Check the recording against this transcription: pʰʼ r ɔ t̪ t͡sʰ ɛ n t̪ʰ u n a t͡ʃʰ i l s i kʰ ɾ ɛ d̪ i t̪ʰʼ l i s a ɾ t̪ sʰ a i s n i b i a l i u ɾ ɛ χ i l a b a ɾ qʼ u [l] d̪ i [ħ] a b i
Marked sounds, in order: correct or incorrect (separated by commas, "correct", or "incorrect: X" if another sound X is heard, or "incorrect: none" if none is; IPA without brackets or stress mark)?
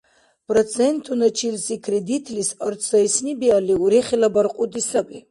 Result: incorrect: none, incorrect: s